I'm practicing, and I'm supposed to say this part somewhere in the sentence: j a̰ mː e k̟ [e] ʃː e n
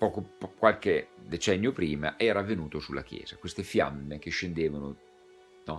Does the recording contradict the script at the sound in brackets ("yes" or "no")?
no